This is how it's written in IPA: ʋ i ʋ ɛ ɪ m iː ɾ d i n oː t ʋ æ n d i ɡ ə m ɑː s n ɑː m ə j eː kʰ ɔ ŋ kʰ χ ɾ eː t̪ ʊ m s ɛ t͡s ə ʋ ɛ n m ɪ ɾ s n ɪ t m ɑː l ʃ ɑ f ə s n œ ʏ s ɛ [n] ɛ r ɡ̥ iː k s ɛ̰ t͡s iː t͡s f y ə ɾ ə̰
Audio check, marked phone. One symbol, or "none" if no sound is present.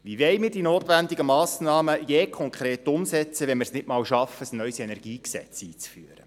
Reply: n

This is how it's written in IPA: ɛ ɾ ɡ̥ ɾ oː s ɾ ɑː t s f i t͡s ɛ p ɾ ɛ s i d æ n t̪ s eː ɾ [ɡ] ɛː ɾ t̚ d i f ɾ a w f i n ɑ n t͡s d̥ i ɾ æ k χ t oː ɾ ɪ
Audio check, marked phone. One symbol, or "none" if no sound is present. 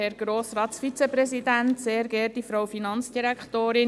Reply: ɡ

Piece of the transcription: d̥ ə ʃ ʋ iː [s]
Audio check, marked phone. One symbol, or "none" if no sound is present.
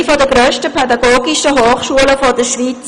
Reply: t͡s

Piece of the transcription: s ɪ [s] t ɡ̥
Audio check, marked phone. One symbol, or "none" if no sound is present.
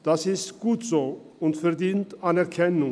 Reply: s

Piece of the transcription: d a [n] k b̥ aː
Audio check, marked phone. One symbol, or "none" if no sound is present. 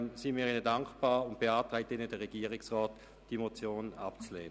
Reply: ŋ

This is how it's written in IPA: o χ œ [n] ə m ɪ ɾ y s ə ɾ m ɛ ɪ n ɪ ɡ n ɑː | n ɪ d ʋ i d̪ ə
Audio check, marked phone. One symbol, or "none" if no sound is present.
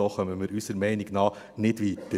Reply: m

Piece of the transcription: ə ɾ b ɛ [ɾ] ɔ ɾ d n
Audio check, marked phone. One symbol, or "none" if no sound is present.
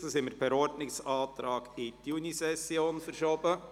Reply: ɾ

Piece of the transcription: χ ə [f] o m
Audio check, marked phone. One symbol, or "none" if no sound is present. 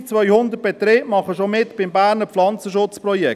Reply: ʃ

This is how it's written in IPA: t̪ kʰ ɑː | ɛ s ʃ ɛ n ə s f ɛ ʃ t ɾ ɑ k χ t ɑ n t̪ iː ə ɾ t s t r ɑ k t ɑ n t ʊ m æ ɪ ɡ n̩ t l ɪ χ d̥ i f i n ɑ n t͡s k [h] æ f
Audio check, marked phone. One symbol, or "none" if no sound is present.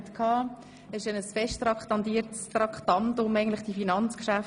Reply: ʃ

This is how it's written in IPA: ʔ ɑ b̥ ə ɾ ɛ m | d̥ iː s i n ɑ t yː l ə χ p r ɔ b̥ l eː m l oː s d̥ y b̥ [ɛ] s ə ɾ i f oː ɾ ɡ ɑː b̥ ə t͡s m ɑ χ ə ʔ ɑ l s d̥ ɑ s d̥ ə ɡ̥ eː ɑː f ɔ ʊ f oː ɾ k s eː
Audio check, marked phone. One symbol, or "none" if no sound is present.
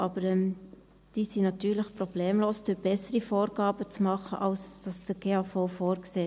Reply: ɛ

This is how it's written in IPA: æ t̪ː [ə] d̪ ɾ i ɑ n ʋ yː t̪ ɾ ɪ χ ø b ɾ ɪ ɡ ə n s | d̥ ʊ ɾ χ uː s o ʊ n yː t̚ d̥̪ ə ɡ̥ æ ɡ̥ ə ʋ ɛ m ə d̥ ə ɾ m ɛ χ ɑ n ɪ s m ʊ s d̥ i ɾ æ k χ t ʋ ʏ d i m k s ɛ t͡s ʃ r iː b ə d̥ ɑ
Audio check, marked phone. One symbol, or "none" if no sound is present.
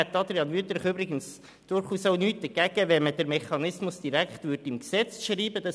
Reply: ɑ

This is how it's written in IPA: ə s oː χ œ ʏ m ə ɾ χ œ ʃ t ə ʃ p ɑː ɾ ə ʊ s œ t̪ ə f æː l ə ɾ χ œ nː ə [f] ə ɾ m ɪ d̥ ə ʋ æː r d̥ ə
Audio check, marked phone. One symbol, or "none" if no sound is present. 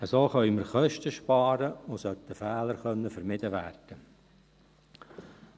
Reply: f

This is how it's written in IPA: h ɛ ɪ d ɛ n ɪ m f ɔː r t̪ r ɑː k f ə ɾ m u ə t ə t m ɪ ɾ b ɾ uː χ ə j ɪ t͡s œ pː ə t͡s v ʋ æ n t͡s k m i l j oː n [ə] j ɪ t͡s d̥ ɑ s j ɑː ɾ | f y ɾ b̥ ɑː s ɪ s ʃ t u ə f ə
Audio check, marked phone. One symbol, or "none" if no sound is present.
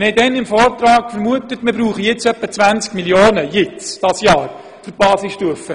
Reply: ə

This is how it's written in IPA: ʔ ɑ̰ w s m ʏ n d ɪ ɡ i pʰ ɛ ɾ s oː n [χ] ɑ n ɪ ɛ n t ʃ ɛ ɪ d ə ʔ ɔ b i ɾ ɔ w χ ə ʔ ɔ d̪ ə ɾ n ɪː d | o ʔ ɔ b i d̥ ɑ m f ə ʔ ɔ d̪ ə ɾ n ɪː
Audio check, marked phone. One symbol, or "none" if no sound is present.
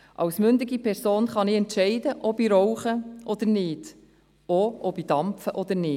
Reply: χ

